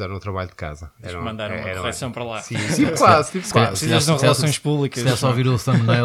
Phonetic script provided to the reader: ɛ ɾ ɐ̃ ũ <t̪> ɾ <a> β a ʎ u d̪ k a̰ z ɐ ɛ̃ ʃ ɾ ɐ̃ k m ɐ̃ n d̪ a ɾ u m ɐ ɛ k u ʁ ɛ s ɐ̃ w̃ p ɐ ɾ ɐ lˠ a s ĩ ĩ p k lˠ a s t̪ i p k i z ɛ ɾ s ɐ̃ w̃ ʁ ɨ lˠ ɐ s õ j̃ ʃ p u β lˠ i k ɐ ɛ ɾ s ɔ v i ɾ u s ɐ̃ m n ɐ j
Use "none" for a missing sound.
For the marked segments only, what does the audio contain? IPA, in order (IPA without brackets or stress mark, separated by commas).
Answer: t̪, ɐ